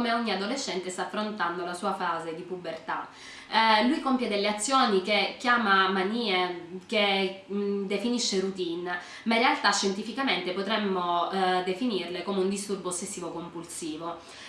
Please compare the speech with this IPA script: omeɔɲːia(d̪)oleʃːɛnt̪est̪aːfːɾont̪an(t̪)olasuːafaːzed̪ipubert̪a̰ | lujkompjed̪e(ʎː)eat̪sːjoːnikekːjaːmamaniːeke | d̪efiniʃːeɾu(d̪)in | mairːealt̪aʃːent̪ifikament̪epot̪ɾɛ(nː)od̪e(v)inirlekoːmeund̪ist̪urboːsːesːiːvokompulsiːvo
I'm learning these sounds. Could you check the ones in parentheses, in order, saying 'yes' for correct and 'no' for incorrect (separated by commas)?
yes, no, no, no, no, no